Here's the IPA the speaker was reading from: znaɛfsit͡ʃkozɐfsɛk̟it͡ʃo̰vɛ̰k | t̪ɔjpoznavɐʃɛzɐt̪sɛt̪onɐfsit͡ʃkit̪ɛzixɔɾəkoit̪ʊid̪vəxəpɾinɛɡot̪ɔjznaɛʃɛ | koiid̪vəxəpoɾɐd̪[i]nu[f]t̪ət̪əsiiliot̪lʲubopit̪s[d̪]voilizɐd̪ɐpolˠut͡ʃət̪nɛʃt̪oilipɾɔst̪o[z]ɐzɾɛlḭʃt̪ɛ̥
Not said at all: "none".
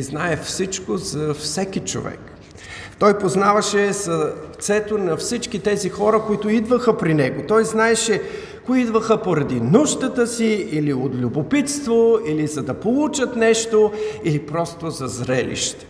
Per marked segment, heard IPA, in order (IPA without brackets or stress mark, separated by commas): i, ʃ, t̪, z